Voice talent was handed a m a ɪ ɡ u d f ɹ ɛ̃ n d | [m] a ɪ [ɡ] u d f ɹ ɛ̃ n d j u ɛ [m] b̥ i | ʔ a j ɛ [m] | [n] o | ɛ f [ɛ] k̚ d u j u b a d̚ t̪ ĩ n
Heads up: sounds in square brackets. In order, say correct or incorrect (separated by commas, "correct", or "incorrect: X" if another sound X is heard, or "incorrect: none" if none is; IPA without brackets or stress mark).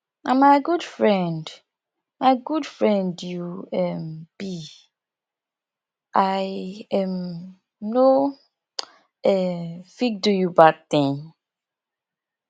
correct, correct, correct, correct, correct, incorrect: i